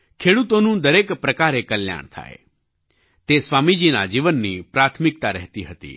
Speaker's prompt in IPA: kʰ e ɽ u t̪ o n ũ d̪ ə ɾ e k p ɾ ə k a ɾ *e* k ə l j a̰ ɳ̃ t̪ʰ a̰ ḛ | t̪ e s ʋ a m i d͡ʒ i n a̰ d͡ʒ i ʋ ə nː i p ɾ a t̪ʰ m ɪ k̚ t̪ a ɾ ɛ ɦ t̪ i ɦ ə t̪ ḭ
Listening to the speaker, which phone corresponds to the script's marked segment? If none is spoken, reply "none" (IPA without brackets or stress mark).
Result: e